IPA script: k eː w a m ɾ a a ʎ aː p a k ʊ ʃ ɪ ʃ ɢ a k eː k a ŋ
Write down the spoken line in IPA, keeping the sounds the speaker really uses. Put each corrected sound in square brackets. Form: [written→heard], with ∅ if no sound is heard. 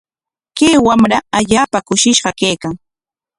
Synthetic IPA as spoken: k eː w a m ɾ a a ʎ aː p a k ʊ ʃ ɪ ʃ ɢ [a→ɑ] k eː k a ŋ